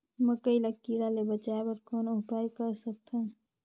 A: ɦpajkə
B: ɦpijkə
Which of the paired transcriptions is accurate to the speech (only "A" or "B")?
A